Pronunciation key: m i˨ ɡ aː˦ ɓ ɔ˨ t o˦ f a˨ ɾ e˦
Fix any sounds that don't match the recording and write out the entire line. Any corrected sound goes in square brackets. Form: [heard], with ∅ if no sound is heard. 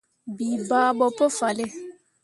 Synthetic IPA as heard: [b] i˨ [b] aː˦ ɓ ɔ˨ [p] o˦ f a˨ [l] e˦